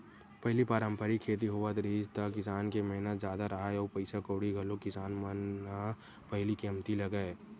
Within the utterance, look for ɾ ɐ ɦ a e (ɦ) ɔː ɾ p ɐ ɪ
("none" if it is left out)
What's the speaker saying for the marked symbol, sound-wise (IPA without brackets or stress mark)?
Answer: none